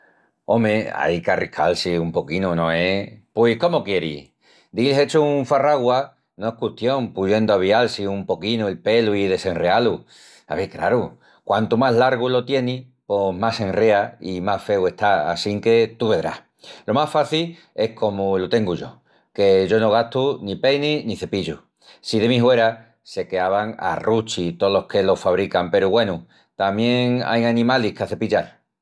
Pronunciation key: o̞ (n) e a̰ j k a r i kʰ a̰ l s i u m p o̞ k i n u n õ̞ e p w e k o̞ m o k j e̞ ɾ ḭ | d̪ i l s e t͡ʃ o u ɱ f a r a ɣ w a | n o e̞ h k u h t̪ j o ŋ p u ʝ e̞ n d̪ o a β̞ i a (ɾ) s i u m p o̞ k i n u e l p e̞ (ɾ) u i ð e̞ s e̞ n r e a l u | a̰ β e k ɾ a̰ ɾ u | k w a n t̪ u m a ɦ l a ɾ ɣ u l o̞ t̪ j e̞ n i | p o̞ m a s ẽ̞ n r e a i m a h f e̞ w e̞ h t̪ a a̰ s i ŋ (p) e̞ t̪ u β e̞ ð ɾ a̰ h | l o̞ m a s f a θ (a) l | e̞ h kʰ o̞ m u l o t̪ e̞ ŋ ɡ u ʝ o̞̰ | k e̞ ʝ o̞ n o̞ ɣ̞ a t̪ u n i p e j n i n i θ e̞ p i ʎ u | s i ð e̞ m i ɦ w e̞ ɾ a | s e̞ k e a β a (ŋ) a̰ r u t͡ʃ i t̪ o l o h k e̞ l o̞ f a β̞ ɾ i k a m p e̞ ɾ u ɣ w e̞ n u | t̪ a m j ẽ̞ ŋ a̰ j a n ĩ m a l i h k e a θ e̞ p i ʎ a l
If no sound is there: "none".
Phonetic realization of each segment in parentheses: m, l, l, k, i, ŋ

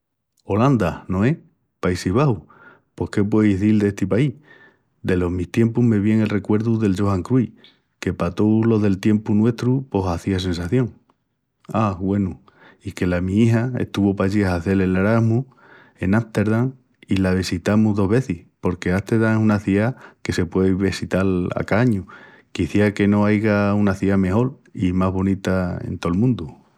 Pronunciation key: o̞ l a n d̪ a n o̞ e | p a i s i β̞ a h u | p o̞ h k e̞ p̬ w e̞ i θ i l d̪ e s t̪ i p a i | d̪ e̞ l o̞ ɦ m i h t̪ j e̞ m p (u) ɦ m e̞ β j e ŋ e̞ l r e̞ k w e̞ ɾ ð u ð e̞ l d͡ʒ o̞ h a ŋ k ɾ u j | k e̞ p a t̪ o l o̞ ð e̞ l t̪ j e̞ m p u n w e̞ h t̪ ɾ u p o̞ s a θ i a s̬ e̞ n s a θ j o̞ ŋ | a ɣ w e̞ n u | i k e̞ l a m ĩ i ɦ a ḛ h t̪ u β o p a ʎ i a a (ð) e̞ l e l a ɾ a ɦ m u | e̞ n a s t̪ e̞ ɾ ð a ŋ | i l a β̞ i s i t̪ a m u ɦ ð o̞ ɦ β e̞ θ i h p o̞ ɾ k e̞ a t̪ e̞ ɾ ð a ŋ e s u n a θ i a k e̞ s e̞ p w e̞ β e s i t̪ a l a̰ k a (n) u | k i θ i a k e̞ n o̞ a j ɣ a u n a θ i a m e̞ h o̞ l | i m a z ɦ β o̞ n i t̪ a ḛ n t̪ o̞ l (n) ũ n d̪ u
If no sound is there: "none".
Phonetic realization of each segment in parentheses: u, θ, ɲ, m

